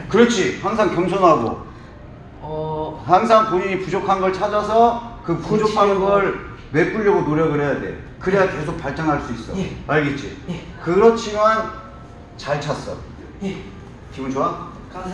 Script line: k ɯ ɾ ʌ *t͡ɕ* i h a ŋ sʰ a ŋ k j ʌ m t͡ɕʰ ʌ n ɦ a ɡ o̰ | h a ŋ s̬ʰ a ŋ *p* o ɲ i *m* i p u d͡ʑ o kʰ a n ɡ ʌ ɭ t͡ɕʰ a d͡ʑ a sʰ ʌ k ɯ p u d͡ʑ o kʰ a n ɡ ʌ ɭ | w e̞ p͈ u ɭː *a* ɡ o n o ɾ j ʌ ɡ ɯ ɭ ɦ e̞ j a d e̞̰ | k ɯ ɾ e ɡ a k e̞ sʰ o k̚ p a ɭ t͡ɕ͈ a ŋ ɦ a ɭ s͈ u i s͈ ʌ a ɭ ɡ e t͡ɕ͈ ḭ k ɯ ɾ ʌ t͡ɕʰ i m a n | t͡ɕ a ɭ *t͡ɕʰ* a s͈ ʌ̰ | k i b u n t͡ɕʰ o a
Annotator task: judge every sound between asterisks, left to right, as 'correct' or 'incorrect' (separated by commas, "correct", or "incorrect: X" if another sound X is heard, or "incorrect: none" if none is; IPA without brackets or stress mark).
incorrect: t͡ɕʰ, correct, incorrect: ɲ, incorrect: ʌ, correct